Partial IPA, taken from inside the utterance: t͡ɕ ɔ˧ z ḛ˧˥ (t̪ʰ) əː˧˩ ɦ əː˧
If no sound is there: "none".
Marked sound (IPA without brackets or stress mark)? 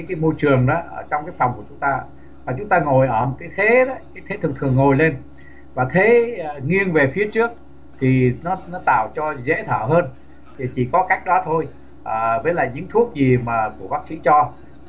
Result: t̪ʰ